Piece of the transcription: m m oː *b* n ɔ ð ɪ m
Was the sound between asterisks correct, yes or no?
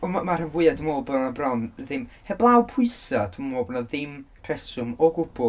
yes